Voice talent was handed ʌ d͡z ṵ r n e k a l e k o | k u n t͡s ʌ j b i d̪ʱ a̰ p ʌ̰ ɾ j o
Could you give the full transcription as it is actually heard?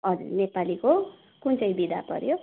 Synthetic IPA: ʌ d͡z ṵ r n e p a l i k o | k u n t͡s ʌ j b i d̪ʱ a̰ p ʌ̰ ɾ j o